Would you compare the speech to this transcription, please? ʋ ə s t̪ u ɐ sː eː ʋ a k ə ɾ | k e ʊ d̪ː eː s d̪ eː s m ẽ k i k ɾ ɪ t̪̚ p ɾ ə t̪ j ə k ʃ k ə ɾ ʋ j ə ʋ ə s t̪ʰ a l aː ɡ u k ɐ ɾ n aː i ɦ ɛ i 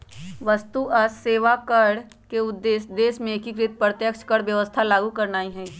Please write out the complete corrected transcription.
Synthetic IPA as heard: ʋ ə s t̪ u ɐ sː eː ʋ a k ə ɽ | k e ʊ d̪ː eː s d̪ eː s m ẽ k i k ɾ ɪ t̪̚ p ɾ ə t̪ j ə k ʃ k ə ɽ ʋ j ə ʋ ə s t̪ʰ a l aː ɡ u k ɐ ɾ n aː i ɦ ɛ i